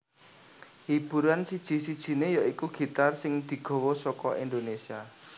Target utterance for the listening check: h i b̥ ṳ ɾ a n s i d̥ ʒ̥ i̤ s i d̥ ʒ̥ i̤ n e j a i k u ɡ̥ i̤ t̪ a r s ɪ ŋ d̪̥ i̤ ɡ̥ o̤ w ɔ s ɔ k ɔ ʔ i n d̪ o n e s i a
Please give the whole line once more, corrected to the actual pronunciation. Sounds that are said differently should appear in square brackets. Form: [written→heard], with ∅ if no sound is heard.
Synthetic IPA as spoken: h i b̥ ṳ ɾ a n s i d̥ ʒ̥ i̤ s i d̥ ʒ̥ i̤ n e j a i k u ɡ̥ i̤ t̪ a r s ɪ ŋ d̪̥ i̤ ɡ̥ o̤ w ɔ s ɔ k ɔ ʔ i n d̪ o n e s i a